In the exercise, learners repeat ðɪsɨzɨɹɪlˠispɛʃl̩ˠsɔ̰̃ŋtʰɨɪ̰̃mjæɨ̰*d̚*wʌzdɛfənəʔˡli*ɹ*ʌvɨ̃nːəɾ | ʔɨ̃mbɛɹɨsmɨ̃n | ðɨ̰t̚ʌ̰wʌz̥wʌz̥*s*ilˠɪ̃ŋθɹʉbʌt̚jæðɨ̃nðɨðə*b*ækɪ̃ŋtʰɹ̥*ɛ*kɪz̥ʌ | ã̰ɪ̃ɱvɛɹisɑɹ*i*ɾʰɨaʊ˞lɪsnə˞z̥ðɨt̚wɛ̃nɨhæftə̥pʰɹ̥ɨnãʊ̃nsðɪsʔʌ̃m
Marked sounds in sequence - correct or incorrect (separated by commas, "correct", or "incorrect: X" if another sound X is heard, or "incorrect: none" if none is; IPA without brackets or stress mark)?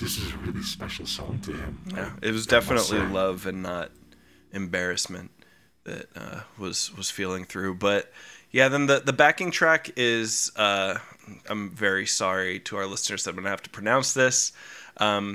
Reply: incorrect: t̚, incorrect: l, incorrect: f, correct, incorrect: æ, correct